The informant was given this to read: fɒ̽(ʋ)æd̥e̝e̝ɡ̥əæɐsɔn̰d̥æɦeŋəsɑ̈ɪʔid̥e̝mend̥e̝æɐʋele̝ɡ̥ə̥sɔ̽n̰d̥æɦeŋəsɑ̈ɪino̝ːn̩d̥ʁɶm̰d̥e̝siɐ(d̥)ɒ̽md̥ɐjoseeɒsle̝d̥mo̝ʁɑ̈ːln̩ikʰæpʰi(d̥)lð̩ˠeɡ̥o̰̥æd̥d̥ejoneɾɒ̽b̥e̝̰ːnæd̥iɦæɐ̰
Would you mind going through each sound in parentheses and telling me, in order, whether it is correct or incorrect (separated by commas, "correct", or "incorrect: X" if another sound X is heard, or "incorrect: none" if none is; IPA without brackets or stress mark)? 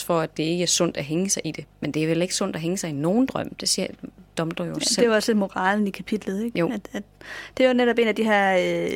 incorrect: none, correct, correct